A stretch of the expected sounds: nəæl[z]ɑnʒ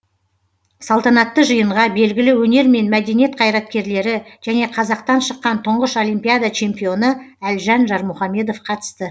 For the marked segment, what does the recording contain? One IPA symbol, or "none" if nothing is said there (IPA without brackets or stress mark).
ʒ